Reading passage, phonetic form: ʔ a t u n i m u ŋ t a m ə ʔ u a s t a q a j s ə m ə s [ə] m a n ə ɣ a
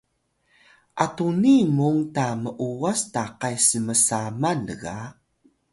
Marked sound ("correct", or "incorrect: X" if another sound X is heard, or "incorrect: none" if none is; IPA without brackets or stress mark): incorrect: a